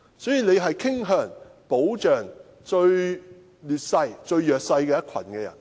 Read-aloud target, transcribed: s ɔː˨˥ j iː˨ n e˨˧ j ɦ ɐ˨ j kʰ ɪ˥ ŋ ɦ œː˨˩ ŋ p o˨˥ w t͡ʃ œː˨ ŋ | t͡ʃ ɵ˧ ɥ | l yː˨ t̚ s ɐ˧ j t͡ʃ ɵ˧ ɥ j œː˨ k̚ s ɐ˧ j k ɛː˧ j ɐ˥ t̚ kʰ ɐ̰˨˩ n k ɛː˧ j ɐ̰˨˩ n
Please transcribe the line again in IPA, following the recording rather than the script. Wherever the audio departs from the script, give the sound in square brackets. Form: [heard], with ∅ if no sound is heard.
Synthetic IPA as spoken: s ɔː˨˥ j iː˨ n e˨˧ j ɦ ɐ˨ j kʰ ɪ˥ ŋ ɦ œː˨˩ ŋ p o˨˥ w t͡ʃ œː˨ ŋ | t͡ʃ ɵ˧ ɥ | l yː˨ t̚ s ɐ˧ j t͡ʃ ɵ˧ ɥ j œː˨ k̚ s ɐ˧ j k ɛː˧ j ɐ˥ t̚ kʰ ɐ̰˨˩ n k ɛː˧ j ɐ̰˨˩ n